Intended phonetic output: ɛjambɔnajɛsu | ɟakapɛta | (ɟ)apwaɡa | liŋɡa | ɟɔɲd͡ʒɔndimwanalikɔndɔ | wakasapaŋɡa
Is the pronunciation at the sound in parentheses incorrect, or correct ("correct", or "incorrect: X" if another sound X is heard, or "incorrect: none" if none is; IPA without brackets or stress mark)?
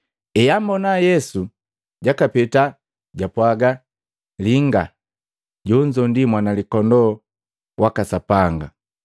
correct